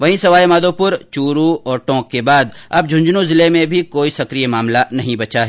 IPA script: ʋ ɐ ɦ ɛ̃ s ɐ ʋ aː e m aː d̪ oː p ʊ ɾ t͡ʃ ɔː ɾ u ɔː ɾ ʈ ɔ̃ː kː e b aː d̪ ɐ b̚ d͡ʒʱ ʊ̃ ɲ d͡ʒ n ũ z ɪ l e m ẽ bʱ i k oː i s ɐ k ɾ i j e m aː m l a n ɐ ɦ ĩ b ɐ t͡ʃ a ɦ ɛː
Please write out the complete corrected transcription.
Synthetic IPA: ʋ ɐ ɦ ĩ s ɐ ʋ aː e m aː d̪ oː p ʊ ɾ t͡ʃ uː ɾ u ɔː ɾ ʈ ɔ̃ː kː e b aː d̪ ɐ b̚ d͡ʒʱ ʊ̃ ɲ d͡ʒ n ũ z ɪ l e m ẽ bʱ i k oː i s ɐ k ɾ i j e m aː m l a n ɐ ɦ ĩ b ɐ t͡ʃ a ɦ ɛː

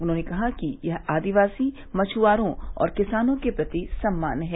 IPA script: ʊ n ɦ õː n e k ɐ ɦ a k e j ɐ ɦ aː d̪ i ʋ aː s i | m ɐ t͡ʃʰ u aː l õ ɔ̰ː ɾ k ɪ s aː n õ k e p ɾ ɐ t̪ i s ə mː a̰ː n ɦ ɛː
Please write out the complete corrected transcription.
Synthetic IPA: ʊ n ɦ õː n e k ɐ ɦ a k i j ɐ ɦ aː d̪ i ʋ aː s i | m ɐ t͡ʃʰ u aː ɾ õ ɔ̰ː ɾ k ɪ s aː n õ k e p ɾ ɐ t̪ i s ɐ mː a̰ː n ɦ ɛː

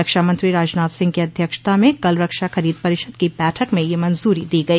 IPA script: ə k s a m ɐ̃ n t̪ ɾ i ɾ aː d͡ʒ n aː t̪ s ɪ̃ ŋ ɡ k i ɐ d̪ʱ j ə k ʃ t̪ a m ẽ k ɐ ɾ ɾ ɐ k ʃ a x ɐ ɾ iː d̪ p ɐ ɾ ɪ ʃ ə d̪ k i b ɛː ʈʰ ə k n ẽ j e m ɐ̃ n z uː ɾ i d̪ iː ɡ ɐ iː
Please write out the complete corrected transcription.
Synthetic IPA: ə k ʃ a m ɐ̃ n t̪ ɾ i ɾ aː d͡ʒ n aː t̪ s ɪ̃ ŋ ɡ k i ɐ d̪ʱ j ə k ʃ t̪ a m ẽ k ɐ l ɾ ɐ k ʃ a x ɐ ɾ iː d̪ p ɐ ɾ ɪ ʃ ə d̪ k i b ɛː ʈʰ ə k m ẽ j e m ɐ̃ n z uː ɾ i d̪ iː ɡ ɐ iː

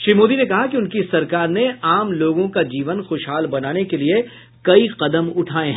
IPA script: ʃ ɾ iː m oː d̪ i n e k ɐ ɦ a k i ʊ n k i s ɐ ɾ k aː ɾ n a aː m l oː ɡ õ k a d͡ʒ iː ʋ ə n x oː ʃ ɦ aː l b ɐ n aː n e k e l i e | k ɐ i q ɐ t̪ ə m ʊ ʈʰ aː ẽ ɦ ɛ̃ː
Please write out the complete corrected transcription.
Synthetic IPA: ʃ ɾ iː m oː d̪ i n e k ɐ ɦ a k i ʊ n k i s ɐ ɾ k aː ɾ n e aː m l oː ɡ õ k a d͡ʒ iː ʋ ə n x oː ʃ ɦ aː l b ɐ n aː n e k e l i e | k ɐ i q ɐ d̪ ə m ʊ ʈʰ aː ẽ ɦ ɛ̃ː

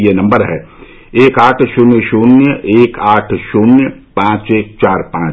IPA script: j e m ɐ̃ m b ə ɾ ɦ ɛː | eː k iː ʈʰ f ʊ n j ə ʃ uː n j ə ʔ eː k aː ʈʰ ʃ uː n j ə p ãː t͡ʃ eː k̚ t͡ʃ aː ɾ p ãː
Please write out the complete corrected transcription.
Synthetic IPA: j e n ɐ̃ m b ə ɾ ɦ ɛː | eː k aː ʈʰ ʃ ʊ n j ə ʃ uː n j ə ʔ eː k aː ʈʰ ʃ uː n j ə p ãː t͡ʃ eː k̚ t͡ʃ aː ɾ p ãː

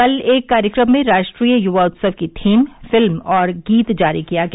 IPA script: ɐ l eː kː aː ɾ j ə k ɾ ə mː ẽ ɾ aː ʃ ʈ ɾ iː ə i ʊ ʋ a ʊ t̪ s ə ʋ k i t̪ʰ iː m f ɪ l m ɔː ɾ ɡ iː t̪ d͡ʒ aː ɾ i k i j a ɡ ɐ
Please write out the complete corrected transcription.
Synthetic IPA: ɐ l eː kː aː ɾ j ə k ɾ ə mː ẽ ɾ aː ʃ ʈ ɾ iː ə j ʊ ʋ a ʊ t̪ s ə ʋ k i t̪ʰ iː m f ɪ l m ɔː ɾ ɡ iː t̪ d͡ʒ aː ɾ i k i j a ɡ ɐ

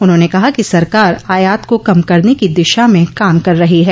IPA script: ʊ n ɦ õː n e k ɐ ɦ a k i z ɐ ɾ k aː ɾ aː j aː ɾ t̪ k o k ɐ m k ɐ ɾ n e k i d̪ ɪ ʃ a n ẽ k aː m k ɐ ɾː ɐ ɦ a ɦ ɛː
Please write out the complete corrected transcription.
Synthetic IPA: ʊ n ɦ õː n e k ɐ ɦ a k i s ɐ ɾ k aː ɾ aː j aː t̪ k o k ɐ m k ɐ ɾ n e k i d̪ ɪ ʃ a m ẽ k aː m k ɐ ɾː ɐ ɦ i ɦ ɛː

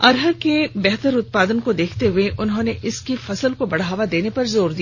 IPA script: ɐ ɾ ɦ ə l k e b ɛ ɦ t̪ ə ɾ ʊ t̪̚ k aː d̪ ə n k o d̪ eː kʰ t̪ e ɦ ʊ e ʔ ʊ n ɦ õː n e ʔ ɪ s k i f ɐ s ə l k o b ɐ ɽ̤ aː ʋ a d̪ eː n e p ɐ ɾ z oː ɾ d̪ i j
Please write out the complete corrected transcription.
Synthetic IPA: ɐ ɾ ɦ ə ɾ k e b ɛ ɦ t̪ ə ɾ ʊ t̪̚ p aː d̪ ə n k o d̪ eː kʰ t̪ e ɦ ʊ e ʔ ʊ n ɦ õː n e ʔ ɪ s k i f ɐ s ə l k o b ɐ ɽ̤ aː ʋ a d̪ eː n e p ɐ ɾ z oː ɾ d̪ i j

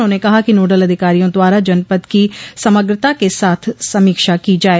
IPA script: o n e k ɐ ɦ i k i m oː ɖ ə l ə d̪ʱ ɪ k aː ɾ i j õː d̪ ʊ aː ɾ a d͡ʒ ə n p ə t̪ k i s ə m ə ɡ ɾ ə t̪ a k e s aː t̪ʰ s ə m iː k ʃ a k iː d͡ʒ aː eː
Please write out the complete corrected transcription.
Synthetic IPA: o n e k ɐ ɦ a k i n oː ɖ ə l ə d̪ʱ ɪ k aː ɾ i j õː d̪ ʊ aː ɾ a d͡ʒ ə n p ə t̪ k i s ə m ə ɡ ɾ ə t̪ a k e s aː t̪ʰ s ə m iː k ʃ a k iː d͡ʒ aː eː

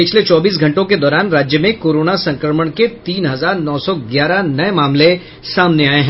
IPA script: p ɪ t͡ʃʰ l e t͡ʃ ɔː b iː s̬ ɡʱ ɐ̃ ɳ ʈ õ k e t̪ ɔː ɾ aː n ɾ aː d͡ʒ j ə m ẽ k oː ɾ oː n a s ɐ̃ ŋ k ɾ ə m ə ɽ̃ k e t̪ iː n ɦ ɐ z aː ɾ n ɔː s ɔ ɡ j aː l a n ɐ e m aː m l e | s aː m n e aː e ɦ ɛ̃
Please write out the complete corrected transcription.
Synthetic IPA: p ɪ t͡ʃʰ l e t͡ʃ ɔː b iː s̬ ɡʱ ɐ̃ ɳ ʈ õ k e d̪ ɔː ɾ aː n ɾ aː d͡ʒ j ə m ẽ k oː ɾ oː n a s ɐ̃ ŋ k ɾ ə m ə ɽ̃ k e t̪ iː n ɦ ɐ z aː ɾ n ɔː s ɔ ɡ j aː ɾ a n ɐ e m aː m l e | s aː m n e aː e ɦ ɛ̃

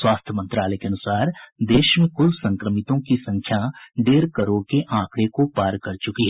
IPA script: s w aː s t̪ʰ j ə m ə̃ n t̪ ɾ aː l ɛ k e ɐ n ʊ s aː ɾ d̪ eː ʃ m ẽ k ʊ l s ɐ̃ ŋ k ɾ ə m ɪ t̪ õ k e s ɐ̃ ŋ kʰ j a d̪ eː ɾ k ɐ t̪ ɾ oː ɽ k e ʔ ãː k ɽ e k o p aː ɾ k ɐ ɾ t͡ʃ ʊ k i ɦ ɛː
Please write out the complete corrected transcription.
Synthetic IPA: s w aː s t̪ʰ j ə m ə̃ n t̪ ɾ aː l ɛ k e ɐ n ʊ s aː ɾ d̪ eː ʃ m ẽ k ʊ l s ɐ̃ ŋ k ɾ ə m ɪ t̪ õ k i s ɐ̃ ŋ kʰ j a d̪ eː ɾ k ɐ ɾ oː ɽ k e ʔ ãː k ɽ e k o p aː ɾ k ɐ ɾ t͡ʃ ʊ k i ɦ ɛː

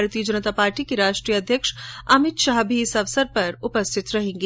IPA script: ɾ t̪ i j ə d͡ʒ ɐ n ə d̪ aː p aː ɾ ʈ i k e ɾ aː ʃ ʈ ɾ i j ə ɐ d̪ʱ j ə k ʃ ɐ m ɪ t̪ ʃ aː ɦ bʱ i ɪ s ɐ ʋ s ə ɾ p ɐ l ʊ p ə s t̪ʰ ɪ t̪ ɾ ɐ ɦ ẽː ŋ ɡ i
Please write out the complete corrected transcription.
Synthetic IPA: ɾ t̪ i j ə d͡ʒ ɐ n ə t̪ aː p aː ɾ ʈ i k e ɾ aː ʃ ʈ ɾ i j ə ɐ d̪ʱ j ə k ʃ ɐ m ɪ t̪ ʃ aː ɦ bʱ i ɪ s ɐ ʋ s ə ɾ p ɐ ɾ ʊ p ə s t̪ʰ ɪ t̪ ɾ ɐ ɦ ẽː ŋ ɡ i

